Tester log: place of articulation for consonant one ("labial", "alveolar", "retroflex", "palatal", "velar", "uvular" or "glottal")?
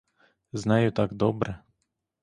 alveolar